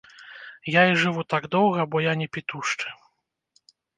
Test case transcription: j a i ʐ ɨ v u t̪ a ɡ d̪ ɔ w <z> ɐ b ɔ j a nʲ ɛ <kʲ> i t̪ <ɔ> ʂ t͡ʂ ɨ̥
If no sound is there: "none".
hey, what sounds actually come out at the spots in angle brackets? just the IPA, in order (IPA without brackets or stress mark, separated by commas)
ɣ, pʲ, u